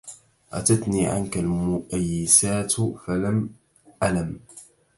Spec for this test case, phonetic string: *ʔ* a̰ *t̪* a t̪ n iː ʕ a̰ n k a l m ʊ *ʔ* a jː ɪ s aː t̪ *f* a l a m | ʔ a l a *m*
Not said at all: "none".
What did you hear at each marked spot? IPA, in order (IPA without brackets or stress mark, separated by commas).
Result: ʔ, t̪, ʔ, f, m